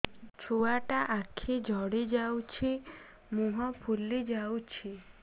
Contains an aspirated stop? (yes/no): yes